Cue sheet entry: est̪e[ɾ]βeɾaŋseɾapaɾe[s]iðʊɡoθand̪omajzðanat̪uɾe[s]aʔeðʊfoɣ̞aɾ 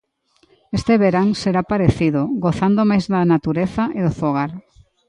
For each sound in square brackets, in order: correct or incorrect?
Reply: incorrect: none, incorrect: θ, incorrect: θ

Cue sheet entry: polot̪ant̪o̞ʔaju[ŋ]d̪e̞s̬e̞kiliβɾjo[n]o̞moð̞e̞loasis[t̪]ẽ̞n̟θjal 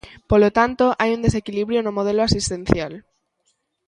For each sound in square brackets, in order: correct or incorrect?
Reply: incorrect: n, correct, correct

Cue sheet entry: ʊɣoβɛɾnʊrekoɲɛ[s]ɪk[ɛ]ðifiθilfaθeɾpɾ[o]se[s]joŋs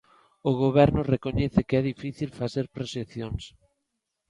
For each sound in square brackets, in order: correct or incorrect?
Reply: incorrect: θ, correct, correct, incorrect: θ

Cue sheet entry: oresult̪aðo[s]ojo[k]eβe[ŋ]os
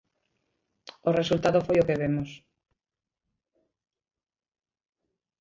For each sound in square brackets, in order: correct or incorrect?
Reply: incorrect: f, correct, incorrect: m

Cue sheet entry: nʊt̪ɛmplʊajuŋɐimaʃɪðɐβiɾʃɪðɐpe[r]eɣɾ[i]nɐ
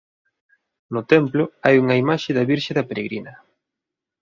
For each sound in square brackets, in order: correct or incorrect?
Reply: incorrect: ɾ, correct

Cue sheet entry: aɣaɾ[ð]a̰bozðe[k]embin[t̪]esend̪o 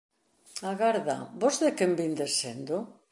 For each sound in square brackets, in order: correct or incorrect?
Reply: correct, correct, incorrect: d̪

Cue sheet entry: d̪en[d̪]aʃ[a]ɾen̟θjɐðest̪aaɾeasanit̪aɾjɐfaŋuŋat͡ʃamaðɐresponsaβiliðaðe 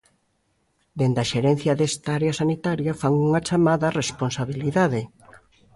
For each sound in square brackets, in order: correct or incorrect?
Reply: correct, incorrect: e

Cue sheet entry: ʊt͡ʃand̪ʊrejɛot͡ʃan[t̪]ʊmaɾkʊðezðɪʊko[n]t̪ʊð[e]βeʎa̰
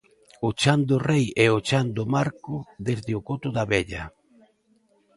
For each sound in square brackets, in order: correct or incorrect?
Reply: incorrect: d̪, incorrect: none, incorrect: a

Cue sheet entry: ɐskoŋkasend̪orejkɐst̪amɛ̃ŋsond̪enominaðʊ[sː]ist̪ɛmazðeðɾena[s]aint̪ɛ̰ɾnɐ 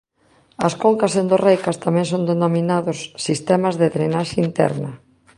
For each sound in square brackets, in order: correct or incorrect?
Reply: correct, incorrect: ʃ

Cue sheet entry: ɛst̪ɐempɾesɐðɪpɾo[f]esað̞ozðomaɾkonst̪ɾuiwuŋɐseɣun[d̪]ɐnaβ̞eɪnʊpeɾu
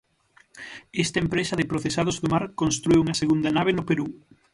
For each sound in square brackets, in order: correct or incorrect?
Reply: incorrect: θ, correct

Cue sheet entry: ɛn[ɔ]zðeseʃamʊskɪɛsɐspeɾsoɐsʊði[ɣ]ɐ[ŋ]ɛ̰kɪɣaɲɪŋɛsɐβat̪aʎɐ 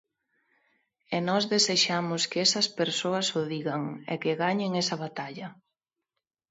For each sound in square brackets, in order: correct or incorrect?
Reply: correct, correct, correct

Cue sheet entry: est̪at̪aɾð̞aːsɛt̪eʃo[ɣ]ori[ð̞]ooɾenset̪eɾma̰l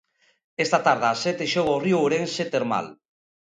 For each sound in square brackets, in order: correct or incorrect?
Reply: correct, incorrect: none

